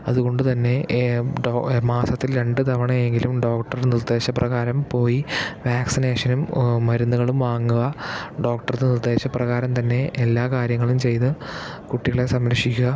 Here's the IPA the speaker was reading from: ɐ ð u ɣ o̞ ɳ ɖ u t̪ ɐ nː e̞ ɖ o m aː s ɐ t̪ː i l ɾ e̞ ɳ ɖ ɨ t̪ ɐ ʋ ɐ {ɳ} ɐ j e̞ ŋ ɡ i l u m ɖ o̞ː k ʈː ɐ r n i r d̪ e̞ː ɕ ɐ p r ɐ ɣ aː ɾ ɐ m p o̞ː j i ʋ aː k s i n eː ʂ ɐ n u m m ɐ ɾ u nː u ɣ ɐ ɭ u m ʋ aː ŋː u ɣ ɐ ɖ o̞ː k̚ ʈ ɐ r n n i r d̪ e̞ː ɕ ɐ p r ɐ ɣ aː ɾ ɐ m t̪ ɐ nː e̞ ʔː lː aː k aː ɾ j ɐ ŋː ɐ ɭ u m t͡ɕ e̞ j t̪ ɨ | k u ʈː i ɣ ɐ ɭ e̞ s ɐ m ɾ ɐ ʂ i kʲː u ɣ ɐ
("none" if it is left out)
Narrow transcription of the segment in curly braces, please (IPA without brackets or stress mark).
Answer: ɳ